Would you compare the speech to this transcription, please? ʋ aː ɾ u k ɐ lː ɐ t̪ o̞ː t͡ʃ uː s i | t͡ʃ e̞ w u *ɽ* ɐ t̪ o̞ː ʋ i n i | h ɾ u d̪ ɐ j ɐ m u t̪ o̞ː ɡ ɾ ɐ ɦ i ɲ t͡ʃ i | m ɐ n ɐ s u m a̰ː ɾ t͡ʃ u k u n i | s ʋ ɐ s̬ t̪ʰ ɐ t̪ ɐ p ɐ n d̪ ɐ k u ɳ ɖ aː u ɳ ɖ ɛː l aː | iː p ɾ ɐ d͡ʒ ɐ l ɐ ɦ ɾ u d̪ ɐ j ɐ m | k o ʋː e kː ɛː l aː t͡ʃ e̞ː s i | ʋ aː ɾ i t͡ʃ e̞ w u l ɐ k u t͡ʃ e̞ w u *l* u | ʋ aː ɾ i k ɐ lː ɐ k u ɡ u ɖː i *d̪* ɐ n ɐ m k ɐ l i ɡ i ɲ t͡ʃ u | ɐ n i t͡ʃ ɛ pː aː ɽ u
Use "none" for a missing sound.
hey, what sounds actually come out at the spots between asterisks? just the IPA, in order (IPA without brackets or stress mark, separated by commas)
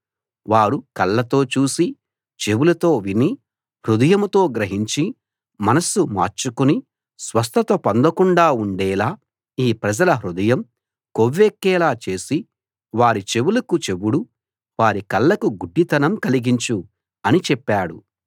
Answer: l, ɽ, t̪